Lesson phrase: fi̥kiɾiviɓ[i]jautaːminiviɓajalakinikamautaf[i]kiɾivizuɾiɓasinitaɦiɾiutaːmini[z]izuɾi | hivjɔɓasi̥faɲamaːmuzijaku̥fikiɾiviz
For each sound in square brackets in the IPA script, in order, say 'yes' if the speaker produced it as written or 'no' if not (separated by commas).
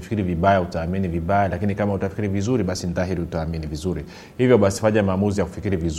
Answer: no, yes, no